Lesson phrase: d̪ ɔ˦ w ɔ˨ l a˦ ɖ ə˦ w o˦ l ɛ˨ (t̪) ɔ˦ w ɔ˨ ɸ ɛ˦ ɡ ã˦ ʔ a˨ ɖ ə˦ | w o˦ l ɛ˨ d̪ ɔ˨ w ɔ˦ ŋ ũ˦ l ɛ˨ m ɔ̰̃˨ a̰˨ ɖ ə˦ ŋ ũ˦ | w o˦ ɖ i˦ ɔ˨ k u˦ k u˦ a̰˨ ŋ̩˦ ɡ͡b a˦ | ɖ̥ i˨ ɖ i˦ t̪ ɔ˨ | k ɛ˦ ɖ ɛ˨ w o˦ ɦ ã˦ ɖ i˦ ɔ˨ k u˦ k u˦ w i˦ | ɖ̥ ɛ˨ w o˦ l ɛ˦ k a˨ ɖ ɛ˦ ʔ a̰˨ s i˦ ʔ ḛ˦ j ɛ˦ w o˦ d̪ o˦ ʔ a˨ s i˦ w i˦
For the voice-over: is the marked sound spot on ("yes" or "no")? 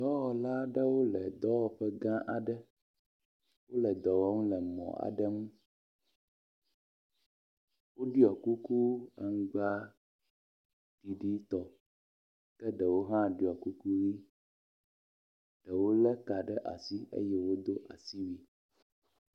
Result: no